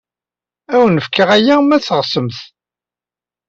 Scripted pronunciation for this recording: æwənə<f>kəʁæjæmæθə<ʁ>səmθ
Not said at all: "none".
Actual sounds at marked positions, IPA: f, ʁ

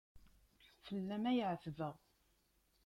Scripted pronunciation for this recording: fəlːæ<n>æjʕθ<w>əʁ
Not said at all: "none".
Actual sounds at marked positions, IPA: m, v

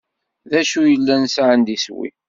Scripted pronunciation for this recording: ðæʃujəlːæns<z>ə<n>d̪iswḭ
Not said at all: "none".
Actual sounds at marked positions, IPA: ʕ, n

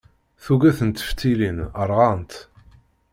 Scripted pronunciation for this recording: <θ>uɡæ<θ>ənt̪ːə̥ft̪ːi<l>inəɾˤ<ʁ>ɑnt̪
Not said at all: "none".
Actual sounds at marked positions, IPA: θ, θ, l, ʁ

